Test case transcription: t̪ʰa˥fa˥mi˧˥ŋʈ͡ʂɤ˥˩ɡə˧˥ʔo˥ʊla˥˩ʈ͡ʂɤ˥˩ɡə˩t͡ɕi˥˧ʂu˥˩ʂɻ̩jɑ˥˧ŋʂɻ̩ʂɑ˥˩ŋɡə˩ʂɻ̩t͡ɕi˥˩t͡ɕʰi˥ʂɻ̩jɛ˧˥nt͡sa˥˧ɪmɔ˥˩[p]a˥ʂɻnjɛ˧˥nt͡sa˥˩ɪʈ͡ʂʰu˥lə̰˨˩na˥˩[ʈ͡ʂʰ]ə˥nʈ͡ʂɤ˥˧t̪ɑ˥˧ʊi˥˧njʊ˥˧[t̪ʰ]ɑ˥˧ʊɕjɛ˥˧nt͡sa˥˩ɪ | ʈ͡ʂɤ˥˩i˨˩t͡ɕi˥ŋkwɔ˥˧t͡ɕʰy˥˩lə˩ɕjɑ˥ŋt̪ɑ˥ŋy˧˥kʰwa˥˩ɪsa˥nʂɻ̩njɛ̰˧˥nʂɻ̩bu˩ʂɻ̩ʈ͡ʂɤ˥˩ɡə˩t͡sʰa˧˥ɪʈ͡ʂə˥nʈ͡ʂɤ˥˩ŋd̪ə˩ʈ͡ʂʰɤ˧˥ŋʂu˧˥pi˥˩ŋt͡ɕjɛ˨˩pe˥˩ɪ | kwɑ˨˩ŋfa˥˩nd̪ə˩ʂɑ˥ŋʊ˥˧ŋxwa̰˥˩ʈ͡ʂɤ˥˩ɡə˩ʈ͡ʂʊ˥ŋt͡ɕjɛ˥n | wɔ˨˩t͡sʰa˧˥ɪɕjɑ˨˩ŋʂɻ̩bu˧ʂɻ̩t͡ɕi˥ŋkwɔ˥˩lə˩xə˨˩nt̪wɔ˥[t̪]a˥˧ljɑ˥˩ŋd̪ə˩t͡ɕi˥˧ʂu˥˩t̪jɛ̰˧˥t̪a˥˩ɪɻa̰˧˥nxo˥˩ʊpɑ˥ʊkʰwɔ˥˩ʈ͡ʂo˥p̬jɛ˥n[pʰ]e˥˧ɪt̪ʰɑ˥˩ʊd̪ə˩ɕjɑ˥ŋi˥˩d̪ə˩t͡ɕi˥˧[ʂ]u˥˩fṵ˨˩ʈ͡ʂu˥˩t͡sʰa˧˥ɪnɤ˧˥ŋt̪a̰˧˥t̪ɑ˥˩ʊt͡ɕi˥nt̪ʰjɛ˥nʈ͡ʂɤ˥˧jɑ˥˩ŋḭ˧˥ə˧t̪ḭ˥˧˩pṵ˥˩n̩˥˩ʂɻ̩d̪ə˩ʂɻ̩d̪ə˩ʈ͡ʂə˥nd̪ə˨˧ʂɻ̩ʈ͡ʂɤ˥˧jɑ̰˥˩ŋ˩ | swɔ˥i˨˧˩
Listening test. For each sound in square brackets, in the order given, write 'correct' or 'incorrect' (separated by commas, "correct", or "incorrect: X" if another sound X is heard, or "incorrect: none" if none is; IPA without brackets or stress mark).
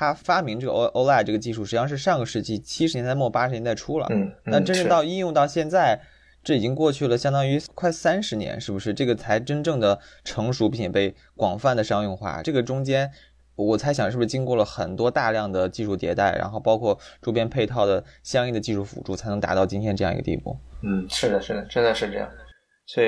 correct, incorrect: ʈ͡ʂ, incorrect: t̪, correct, correct, correct